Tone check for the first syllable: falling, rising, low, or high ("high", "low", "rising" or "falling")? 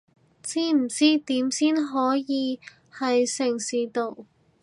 high